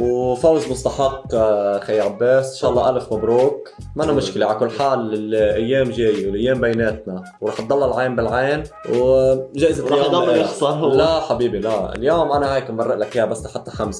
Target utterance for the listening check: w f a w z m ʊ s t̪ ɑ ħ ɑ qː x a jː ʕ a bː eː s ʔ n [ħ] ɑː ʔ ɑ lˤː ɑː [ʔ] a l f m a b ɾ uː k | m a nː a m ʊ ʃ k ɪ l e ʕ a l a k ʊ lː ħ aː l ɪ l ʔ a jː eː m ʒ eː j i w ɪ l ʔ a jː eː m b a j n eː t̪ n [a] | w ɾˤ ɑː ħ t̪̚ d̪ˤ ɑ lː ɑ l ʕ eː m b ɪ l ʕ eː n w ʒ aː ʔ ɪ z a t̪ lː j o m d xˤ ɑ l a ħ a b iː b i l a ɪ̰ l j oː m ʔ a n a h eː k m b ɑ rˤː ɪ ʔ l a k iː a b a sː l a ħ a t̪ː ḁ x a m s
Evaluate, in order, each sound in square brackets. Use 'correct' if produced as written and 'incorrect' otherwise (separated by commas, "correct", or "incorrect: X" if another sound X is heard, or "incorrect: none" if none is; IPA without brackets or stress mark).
incorrect: ʃ, correct, correct